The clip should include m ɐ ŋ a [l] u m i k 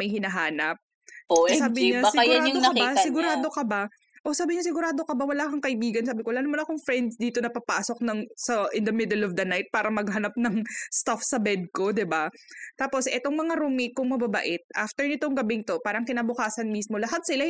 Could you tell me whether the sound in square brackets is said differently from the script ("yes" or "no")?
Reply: yes